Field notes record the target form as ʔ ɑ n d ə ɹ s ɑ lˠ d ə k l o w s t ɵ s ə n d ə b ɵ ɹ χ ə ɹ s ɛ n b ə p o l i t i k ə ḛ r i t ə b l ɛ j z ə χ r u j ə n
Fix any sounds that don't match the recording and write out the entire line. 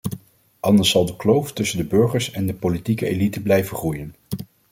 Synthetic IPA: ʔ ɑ n d ə ɹ s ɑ lˠ d ə k l o w f t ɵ s ə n d ə b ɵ ɹ χ ə ɹ s ɛ n d ə p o l i t i k ə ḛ l i t ə b l ɛ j v ə χ r u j ə n